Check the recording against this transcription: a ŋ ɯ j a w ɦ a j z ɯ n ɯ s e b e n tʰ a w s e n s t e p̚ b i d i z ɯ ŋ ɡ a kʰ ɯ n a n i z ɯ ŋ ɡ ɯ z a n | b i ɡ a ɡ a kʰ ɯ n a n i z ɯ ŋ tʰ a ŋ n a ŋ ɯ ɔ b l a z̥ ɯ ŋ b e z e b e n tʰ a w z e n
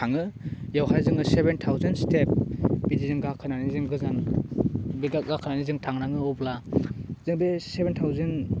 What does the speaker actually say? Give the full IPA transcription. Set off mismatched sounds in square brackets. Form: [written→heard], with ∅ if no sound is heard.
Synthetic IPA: a ŋ ɯ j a w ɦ a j z ɯ [n→ŋ] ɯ s e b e n tʰ a w [s→z] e n s t e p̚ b i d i z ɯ ŋ ɡ a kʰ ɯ n a n i z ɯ ŋ ɡ ɯ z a n | b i ɡ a ɡ a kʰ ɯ n a n i z ɯ ŋ tʰ a ŋ n a ŋ ɯ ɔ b l a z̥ ɯ ŋ b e [z→s] e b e n tʰ a w z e n